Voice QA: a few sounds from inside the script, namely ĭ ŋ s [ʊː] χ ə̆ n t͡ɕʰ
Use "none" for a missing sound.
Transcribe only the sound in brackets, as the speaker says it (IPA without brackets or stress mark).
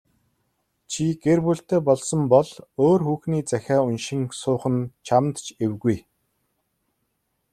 ʊː